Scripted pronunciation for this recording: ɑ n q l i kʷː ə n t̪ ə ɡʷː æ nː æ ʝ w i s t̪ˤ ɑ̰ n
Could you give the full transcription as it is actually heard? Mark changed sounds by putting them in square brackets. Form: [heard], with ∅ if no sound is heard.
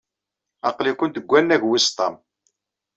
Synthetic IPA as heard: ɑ [∅] q l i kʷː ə n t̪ ə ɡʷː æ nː æ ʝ w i s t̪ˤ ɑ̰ [m]